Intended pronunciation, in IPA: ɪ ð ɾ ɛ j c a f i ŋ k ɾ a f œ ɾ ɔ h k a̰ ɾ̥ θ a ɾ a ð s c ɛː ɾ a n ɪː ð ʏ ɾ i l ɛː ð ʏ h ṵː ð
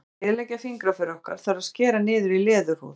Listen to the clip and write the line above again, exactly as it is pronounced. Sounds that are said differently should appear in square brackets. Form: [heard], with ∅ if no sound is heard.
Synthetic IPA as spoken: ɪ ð [l] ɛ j c a f i ŋ k ɾ a f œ ɾ ɔ h k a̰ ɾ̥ θ a ɾ a ð s c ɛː ɾ a n ɪː ð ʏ ɾ i l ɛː ð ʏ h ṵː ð